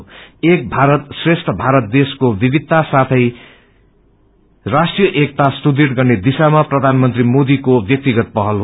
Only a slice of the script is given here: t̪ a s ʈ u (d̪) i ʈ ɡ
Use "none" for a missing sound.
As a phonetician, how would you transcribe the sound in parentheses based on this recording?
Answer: d̪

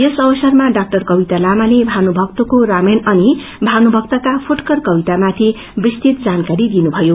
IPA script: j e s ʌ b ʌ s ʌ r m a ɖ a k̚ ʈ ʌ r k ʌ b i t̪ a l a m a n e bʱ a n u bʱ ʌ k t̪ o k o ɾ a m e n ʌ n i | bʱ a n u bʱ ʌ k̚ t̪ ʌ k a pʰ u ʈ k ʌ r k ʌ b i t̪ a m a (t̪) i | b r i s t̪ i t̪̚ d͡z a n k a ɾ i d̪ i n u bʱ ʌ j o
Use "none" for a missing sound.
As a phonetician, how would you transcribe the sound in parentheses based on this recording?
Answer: t̪ʰ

